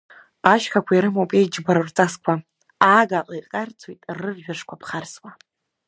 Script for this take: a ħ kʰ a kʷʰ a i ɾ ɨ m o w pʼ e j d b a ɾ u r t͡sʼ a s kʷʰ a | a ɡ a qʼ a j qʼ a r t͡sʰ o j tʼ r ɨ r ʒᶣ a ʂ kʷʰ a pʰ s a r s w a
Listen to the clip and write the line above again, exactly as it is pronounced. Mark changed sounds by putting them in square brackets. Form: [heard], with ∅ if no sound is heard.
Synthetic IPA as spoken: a [ʃ] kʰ a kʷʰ a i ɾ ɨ m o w pʼ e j [d͡ʒ] b a ɾ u r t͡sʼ a s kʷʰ a | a ɡ a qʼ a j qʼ a r t͡sʰ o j tʼ r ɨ r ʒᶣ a ʂ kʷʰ a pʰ [χ] a r s w a